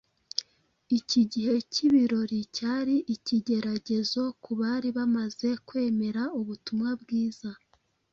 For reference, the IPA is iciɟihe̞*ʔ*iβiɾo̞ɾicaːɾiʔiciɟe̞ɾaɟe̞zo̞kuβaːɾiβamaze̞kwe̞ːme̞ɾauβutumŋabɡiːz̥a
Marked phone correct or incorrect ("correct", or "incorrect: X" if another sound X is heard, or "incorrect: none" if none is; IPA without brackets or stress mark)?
incorrect: c